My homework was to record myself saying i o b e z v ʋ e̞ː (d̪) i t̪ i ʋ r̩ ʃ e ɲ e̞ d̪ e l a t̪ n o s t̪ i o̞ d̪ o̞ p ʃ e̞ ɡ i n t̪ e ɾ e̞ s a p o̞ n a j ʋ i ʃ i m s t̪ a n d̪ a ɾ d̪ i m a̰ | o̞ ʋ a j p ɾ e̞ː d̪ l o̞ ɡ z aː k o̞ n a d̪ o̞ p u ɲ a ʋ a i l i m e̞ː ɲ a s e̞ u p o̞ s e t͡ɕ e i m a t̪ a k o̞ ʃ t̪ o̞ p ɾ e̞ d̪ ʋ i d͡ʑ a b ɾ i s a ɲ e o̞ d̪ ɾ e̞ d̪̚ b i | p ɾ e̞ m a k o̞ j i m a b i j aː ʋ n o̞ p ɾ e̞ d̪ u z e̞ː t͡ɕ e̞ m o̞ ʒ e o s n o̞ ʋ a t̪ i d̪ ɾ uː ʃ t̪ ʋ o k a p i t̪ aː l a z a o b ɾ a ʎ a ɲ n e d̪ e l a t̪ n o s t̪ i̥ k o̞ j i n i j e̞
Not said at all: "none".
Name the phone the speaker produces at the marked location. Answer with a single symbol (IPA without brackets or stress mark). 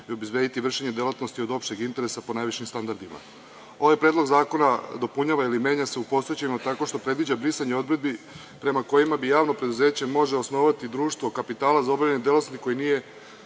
d̪